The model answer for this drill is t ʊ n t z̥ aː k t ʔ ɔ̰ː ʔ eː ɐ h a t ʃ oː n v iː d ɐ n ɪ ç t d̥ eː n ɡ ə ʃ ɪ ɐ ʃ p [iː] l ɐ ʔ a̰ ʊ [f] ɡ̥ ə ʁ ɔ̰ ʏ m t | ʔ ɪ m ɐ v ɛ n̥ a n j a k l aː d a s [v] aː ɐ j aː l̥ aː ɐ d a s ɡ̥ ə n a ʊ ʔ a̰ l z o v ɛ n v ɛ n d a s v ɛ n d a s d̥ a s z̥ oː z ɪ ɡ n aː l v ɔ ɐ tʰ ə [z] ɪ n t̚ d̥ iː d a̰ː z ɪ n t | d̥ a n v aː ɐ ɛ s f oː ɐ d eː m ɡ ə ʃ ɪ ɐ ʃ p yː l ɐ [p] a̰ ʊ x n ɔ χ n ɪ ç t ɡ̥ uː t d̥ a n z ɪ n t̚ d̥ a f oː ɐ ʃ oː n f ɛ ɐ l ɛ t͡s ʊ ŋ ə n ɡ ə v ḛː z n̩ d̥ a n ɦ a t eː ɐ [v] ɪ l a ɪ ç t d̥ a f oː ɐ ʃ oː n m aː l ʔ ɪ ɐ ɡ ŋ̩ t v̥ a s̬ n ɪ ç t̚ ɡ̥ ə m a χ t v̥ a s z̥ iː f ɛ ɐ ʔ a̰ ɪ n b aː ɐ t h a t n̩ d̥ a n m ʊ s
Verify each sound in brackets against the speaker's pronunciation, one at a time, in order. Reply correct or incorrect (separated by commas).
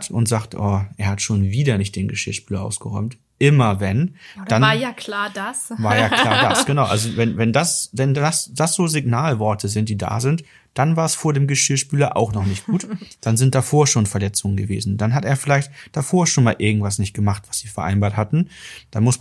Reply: incorrect, incorrect, correct, correct, incorrect, incorrect